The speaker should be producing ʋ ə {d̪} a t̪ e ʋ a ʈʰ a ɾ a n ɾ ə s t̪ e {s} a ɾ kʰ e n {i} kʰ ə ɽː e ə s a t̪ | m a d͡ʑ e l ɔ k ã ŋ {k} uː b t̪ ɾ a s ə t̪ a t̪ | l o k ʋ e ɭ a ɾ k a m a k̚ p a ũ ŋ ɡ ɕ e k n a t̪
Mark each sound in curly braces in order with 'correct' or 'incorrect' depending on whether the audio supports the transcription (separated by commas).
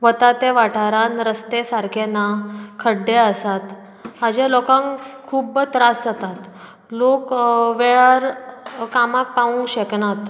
incorrect, correct, incorrect, incorrect